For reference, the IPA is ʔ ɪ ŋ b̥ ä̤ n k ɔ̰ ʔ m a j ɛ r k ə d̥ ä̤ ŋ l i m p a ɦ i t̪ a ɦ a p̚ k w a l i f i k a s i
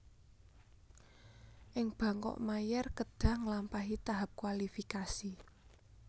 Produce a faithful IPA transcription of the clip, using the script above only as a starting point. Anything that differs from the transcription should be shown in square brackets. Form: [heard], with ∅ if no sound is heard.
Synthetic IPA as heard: ʔ ɪ ŋ b̥ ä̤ [ŋ] k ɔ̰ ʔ m a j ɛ r k ə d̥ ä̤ ŋ l [a] m p a ɦ i t̪ a ɦ a p̚ k w a l i f i k a s i